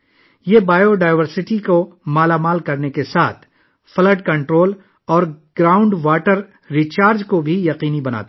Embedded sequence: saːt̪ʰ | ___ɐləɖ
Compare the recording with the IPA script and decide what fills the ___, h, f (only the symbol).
f